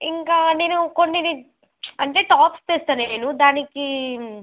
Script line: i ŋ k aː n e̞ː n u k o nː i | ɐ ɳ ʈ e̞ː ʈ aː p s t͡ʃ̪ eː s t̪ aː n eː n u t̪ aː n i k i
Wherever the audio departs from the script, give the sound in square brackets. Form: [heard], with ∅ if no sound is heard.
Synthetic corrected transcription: i ŋ k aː n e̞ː n u k o nː i | ɐ ɳ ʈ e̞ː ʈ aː p s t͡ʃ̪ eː s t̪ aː n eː n u [d̪] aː n i k i